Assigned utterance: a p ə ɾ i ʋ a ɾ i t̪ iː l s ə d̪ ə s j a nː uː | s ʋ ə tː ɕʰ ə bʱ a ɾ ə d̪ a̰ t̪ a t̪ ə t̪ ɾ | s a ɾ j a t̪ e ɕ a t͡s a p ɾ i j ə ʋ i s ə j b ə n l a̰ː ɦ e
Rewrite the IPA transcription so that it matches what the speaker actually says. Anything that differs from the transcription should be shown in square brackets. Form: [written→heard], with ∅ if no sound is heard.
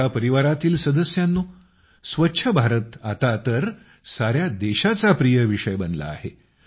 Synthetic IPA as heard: a p ə ɾ i ʋ a ɾ [i→a] t̪ iː l s ə d̪ ə s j a nː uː | s ʋ ə tː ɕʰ ə bʱ a ɾ ə [d̪→t̪] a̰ t̪ a t̪ ə [t̪→∅] ɾ | s a ɾ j a [t̪→d̪] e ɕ a t͡s a p ɾ i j ə ʋ i [s→ʂ] ə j b ə n l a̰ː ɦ e